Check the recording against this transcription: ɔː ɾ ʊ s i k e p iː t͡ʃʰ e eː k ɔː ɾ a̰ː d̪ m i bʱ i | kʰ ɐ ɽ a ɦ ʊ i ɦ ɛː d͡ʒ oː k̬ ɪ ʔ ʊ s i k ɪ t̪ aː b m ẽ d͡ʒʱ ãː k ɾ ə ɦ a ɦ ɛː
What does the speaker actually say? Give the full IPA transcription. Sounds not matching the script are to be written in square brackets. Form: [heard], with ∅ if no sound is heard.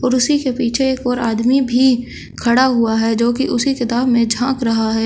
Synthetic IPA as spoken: ɔː ɾ ʊ s i k e p iː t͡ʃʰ e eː k ɔː ɾ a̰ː d̪ m i bʱ i | kʰ ɐ ɽ a ɦ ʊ [a] ɦ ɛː d͡ʒ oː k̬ [i] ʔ ʊ s i k ɪ t̪ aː b m ẽ d͡ʒʱ ãː k ɾ [ɐ] ɦ a ɦ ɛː